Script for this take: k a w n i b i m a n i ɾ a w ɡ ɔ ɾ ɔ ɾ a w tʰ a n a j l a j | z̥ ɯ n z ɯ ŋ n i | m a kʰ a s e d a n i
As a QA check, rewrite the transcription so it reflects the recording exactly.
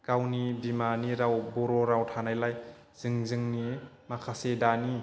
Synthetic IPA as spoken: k a w n i b i m a n i ɾ a w b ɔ ɾ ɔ ɾ a w tʰ a n a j l a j | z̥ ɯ ŋ z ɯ ŋ n i | m a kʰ a s e d a n i